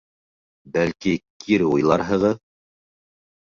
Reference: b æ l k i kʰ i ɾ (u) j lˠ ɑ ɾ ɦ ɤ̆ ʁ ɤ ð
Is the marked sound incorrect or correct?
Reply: correct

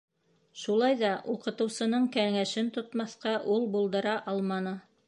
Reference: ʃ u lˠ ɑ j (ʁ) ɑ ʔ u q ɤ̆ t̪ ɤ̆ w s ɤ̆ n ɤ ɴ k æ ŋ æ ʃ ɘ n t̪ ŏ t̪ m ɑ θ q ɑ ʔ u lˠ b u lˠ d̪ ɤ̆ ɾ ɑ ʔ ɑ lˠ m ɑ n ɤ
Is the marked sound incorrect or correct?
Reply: incorrect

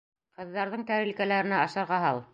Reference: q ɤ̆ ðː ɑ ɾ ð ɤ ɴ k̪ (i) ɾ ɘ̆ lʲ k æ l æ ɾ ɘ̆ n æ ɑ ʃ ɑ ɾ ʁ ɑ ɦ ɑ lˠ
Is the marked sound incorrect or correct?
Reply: incorrect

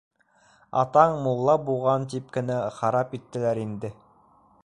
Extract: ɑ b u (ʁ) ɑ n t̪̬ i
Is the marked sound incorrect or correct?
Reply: correct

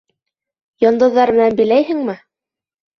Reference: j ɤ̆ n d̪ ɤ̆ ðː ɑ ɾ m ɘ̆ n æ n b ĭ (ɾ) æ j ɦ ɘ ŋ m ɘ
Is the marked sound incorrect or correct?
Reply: incorrect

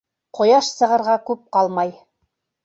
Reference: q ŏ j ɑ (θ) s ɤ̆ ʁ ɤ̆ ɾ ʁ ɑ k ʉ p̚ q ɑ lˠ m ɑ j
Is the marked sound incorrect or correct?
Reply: incorrect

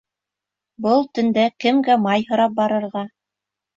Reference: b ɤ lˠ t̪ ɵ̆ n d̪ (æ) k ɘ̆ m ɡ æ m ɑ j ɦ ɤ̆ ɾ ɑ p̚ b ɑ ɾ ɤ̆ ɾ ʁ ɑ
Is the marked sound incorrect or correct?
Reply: correct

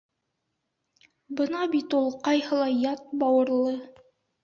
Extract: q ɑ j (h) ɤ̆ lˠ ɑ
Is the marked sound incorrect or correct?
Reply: correct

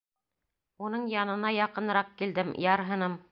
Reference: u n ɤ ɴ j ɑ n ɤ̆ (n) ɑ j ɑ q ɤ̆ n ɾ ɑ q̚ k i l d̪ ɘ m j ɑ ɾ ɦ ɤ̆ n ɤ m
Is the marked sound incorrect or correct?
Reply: correct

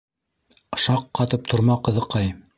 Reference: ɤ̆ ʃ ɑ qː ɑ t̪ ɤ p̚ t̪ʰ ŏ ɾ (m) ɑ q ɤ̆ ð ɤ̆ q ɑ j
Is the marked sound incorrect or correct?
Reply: correct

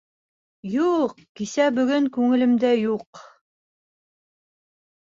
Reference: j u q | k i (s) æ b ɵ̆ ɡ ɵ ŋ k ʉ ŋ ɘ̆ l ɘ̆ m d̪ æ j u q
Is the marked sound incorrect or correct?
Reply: correct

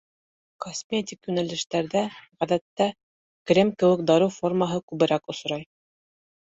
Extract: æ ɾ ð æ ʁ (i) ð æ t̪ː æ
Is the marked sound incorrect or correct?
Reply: incorrect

